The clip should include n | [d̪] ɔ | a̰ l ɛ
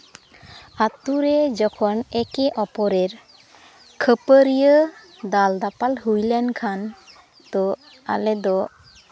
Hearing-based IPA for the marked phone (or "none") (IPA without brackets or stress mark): t̪